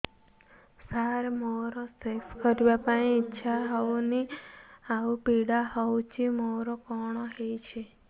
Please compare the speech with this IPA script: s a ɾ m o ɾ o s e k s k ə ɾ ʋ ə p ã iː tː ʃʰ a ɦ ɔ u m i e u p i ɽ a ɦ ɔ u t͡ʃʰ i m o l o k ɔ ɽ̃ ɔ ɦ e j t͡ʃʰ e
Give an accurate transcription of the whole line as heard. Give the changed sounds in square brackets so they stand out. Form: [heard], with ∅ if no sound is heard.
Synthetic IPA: s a ɾ m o ɾ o s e k s k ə ɾ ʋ [a] p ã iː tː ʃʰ a ɦ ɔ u [n] i [a] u p i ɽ a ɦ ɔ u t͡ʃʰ i m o [ɾ] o k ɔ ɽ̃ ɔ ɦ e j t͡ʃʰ e